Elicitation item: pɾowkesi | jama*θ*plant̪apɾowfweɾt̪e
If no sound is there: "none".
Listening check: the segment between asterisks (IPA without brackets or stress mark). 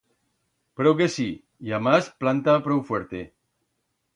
s